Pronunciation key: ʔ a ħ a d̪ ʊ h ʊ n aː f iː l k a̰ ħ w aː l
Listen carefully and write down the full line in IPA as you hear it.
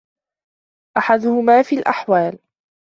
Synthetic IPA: ʔ a ħ a d̪ ʊ h ʊ m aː f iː l ʔ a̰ ħ w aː l